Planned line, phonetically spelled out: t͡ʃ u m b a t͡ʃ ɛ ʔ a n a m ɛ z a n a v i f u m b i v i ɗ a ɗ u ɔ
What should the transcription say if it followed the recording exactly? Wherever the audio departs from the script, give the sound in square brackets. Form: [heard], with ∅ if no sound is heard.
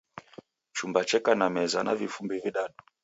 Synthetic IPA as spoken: t͡ʃ u m b a t͡ʃ ɛ [k] a n a m ɛ z a n a v i f u m b i v i ɗ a ɗ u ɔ